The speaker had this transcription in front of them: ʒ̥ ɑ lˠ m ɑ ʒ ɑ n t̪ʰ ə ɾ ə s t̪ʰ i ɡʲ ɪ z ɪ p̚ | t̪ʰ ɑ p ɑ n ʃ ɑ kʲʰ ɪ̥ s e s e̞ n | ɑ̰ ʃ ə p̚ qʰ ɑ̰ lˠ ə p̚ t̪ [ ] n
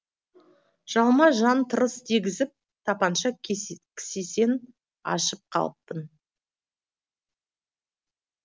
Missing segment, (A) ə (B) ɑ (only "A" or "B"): A